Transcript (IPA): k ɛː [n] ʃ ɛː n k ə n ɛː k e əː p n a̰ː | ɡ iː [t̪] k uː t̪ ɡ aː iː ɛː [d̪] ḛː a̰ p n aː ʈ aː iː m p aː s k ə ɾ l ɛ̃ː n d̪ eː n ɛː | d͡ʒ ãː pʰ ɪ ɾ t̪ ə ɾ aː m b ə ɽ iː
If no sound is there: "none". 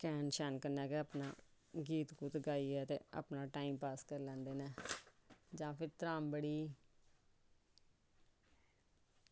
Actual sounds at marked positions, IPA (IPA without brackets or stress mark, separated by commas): n, t̪, t̪